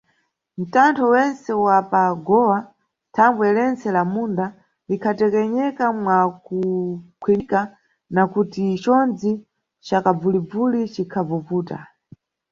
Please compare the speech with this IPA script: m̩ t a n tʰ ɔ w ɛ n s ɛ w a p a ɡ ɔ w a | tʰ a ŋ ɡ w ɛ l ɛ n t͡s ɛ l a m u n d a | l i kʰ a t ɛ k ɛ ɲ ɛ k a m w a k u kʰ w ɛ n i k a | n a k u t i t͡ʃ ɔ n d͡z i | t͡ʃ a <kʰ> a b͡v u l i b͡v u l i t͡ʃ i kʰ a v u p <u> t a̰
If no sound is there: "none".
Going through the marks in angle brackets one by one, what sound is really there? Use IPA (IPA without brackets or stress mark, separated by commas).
k, uː